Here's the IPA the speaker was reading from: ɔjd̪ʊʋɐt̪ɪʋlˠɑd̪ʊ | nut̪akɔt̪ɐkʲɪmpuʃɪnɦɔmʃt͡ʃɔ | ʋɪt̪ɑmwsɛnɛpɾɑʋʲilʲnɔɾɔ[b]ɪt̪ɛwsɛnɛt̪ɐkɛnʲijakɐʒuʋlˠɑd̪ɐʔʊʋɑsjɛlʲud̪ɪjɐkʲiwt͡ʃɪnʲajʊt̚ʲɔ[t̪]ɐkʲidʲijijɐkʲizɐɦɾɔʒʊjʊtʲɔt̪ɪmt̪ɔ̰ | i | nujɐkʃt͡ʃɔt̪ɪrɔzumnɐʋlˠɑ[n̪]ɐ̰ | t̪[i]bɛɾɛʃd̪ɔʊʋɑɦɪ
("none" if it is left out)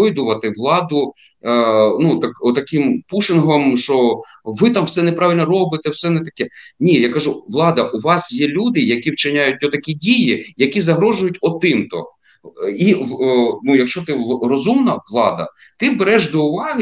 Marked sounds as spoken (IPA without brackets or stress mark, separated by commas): b, t̪, d̪, ɪ